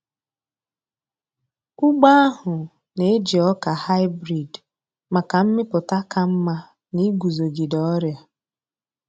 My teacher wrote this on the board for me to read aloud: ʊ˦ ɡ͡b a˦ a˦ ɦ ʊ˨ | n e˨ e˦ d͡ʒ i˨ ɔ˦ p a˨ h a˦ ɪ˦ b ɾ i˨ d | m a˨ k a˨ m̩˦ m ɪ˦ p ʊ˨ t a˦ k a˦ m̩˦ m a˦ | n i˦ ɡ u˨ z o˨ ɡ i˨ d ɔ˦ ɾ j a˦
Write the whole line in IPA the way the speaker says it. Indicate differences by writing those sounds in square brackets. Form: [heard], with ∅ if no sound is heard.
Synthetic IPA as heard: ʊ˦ ɡ͡b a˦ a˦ ɦ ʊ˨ | n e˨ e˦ d͡ʒ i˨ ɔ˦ [k] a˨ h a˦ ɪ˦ b ɾ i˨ d | m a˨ k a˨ m̩˦ m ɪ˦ p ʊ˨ t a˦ k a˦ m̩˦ m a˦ | n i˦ ɡ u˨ z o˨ ɡ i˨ d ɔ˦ ɾ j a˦